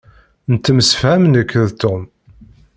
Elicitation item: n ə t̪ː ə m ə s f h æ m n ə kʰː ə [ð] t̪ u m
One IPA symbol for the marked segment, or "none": ð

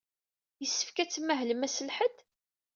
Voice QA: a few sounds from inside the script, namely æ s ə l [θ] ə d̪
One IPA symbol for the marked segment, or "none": ħ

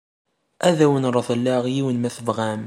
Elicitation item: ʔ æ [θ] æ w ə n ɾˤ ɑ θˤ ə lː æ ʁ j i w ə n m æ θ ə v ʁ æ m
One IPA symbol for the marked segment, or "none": ð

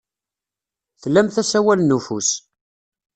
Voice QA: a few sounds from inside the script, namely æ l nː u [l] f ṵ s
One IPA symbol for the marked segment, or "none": none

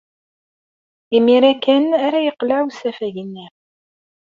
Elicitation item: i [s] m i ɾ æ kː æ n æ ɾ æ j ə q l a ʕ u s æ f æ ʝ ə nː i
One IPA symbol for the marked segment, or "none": none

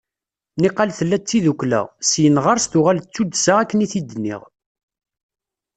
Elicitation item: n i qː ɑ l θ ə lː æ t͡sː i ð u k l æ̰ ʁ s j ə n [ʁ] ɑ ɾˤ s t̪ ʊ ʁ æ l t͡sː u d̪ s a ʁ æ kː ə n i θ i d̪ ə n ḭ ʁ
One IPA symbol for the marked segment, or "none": ʁ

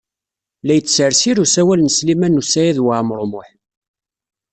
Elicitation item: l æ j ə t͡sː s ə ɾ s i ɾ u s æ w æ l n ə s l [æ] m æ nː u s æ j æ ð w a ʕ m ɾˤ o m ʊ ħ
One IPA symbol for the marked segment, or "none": i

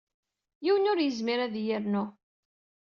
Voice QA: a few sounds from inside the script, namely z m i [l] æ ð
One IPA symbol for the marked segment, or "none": ɾ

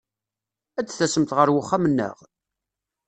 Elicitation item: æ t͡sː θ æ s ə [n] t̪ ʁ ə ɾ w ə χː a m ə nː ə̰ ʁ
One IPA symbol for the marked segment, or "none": m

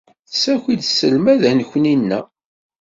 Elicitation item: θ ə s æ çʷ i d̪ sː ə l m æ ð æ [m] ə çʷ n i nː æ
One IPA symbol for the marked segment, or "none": n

